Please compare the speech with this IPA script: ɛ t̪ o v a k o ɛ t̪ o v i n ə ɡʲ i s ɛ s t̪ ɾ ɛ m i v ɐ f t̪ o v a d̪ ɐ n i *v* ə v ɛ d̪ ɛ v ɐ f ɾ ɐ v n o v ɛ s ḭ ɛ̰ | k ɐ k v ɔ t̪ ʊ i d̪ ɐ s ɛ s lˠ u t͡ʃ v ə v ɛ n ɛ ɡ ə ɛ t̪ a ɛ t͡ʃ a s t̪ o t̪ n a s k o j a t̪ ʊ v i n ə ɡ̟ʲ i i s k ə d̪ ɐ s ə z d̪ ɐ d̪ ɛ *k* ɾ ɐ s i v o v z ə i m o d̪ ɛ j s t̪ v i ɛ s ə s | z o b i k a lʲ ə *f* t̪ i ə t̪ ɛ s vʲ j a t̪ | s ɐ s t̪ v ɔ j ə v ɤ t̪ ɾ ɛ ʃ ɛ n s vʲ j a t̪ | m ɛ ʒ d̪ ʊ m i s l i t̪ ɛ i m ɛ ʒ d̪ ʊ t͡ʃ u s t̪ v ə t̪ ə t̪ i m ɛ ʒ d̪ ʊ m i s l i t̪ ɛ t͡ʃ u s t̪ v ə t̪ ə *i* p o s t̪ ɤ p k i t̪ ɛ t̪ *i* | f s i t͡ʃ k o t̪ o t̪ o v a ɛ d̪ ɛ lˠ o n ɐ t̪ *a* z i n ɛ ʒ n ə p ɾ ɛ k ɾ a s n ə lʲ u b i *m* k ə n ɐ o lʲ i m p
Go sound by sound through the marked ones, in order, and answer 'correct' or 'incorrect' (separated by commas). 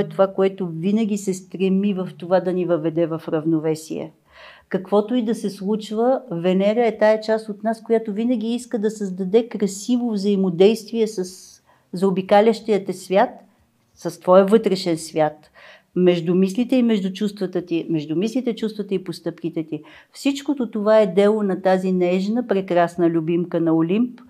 correct, correct, incorrect, correct, correct, correct, correct